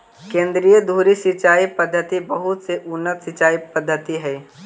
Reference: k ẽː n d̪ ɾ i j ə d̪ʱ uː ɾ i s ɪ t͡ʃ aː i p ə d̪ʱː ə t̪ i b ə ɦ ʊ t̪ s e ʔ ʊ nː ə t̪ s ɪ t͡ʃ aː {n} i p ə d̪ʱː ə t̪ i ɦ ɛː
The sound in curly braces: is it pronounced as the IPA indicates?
no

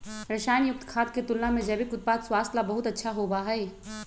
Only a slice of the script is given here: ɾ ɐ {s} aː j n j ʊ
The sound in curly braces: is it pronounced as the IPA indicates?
no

